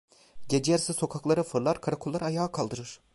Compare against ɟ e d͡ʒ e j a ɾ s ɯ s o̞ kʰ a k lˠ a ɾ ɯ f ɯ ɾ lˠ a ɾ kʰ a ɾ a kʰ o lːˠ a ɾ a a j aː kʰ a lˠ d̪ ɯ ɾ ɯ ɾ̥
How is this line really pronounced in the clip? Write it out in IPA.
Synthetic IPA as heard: ɟ e d͡ʒ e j a ɾ s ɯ s o̞ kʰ a k lˠ a ɾ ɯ f ɯ ɾ lˠ a ɾ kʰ a ɾ a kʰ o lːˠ a ɾ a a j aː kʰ a lˠ d̪ ɯ ɾ ɯ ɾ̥